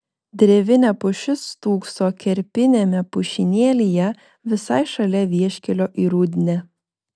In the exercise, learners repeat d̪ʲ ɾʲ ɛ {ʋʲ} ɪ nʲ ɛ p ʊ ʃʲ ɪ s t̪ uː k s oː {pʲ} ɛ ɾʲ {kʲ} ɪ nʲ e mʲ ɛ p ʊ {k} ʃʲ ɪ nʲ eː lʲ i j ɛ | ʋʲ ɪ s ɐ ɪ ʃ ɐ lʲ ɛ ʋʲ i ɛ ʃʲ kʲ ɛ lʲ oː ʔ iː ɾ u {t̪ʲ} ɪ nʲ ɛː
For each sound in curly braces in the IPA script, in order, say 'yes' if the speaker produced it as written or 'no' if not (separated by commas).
yes, no, no, no, no